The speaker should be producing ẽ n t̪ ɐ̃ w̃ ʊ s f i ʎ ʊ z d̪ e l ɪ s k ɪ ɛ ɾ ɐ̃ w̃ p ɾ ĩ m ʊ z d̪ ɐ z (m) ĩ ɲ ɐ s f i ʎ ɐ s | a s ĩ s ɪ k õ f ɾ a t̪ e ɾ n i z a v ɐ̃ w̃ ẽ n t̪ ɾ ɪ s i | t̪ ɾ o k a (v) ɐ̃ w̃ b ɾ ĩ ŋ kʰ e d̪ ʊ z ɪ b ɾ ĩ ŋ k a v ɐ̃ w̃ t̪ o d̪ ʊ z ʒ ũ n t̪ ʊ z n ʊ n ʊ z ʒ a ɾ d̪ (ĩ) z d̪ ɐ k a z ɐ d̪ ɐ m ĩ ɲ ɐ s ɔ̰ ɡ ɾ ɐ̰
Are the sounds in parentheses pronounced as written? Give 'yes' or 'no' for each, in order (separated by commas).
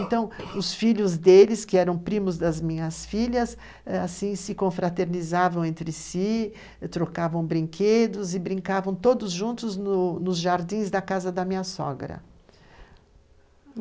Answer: yes, yes, yes